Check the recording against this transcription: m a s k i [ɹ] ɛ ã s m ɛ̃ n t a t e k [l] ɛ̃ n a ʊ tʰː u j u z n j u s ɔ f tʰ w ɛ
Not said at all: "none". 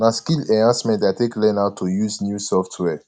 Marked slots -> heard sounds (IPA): l, l

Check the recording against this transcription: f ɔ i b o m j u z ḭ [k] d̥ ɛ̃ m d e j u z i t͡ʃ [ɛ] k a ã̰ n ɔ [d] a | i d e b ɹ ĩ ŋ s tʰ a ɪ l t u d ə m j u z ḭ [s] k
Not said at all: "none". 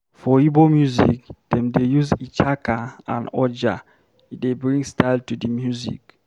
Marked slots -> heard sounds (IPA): k, a, d͡ʒ, none

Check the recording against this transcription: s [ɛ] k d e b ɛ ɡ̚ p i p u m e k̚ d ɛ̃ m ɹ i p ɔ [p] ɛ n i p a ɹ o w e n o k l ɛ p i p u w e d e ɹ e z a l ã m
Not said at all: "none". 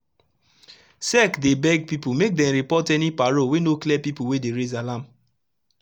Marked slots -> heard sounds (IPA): ɛ, t

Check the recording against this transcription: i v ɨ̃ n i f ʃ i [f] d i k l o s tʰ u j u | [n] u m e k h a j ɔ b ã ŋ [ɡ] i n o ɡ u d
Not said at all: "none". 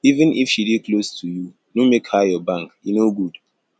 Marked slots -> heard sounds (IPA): none, n, k

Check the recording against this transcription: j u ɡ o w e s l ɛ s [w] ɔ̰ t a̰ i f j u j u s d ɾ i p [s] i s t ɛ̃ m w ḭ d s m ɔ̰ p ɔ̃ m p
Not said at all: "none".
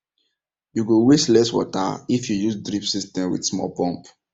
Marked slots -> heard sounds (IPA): w, s

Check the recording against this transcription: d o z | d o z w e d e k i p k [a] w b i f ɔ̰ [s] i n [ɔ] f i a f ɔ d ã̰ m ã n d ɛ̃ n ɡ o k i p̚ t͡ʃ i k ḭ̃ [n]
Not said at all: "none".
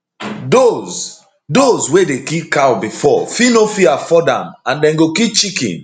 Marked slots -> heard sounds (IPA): a, f, o, n

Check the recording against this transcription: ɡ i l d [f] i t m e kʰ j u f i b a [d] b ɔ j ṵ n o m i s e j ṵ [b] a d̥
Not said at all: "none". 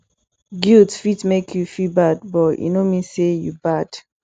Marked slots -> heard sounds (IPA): f, d, b

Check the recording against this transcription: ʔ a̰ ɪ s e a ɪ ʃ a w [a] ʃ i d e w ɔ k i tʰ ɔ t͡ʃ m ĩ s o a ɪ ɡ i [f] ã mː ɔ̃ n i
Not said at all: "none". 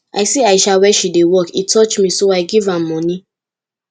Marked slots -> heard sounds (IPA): ɛ, v

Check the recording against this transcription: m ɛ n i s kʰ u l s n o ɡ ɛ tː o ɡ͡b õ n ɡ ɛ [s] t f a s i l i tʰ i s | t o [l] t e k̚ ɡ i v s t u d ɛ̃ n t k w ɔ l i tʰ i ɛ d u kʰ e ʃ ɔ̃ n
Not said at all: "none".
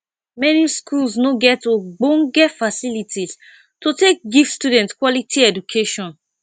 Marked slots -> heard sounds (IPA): none, none

